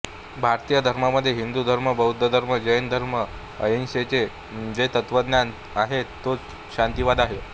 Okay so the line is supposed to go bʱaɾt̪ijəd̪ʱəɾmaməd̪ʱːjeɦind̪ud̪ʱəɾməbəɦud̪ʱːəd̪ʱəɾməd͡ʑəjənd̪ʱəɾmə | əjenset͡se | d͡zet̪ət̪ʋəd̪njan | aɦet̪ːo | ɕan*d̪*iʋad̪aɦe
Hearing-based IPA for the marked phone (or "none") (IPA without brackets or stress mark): t̪